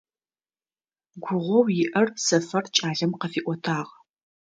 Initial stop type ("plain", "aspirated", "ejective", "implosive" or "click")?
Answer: plain